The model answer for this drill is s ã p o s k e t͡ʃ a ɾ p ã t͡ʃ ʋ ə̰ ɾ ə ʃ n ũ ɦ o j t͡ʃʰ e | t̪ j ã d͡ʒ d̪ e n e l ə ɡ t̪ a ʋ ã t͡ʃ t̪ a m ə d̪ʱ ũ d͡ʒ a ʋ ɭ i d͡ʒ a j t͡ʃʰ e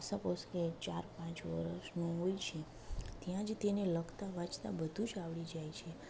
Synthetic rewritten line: s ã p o s k e t͡ʃ a ɾ p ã t͡ʃ ʋ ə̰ ɾ ə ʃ n ũ ɦ o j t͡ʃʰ e | t̪ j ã d͡ʒ t̪ e n e l ə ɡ t̪ a ʋ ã t͡ʃ t̪ a b ə d̪ʱ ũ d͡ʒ a ʋ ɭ i d͡ʒ a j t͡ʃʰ e